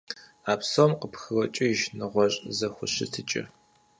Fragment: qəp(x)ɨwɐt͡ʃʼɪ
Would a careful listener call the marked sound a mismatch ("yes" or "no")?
no